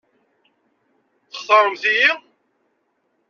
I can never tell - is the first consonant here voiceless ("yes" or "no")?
yes